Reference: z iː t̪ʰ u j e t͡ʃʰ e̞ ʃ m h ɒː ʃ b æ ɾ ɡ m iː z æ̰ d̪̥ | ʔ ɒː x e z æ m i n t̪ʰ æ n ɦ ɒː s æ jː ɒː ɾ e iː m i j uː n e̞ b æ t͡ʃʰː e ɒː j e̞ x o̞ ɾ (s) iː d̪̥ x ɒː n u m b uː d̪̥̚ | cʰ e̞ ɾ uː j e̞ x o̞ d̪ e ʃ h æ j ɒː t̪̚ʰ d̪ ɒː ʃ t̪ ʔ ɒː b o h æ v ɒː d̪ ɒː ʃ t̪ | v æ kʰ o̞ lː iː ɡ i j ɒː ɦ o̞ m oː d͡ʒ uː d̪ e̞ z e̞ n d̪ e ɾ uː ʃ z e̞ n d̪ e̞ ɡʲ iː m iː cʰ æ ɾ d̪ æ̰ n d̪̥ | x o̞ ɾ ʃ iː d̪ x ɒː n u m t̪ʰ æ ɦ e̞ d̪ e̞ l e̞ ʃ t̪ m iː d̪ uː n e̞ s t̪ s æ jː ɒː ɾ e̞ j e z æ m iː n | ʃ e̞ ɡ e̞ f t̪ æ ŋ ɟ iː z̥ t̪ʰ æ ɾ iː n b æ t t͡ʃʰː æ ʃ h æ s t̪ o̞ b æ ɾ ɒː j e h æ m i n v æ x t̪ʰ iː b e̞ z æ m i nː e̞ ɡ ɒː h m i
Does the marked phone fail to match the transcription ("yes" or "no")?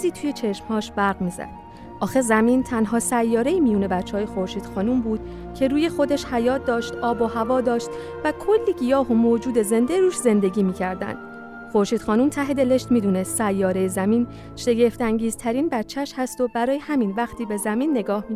yes